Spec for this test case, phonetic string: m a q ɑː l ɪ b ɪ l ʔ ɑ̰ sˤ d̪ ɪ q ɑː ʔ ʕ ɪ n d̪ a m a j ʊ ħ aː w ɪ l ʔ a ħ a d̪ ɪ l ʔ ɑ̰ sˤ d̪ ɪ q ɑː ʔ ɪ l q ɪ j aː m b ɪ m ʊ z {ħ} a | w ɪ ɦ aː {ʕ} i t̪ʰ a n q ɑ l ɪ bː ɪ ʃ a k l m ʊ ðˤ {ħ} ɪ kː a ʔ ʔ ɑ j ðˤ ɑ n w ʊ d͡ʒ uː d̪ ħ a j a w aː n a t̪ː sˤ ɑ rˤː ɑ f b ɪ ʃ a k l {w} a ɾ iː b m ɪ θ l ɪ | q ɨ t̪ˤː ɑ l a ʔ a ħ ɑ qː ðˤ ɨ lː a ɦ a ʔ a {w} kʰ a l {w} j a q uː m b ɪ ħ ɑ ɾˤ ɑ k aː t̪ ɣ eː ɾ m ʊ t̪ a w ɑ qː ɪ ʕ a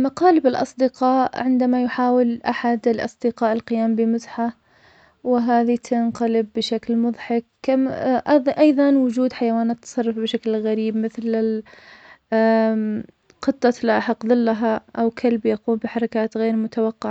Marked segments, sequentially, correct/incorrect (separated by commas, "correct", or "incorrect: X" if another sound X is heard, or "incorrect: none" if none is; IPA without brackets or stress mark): correct, incorrect: ð, correct, incorrect: ɣ, correct, incorrect: b